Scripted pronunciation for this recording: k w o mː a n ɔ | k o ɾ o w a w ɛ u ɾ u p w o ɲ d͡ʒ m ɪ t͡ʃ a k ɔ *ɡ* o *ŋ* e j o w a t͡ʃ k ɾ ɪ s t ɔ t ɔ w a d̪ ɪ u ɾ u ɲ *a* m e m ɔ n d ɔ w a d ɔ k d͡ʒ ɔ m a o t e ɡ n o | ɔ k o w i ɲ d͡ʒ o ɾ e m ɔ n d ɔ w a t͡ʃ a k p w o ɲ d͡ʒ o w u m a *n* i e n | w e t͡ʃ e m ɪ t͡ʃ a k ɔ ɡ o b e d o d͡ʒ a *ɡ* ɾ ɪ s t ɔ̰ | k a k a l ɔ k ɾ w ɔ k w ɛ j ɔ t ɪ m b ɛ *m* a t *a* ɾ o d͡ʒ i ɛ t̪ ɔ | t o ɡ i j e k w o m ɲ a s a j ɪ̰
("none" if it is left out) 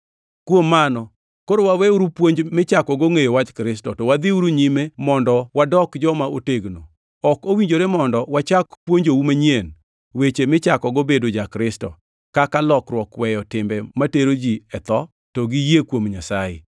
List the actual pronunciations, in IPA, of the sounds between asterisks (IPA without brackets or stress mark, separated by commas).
ɡ, ŋ, i, ɲ, k, m, e